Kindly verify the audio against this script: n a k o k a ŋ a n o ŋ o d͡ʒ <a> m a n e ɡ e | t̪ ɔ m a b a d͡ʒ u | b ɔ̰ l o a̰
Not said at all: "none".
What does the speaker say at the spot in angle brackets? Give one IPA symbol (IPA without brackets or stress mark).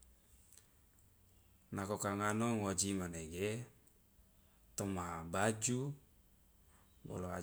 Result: i